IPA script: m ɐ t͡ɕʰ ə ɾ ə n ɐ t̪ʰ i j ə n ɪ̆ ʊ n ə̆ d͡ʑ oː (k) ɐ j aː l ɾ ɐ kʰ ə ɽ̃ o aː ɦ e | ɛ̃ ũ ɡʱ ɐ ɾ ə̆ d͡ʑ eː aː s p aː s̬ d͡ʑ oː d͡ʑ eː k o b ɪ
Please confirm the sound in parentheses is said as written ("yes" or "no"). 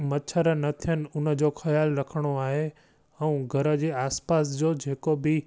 no